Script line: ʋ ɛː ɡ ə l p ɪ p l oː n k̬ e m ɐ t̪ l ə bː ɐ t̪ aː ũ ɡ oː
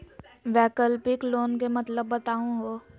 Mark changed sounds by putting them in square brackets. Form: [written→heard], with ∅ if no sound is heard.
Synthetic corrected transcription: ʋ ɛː [ɡ→k] ə l p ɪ [p→k] l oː n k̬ e m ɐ t̪ l ə bː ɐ t̪ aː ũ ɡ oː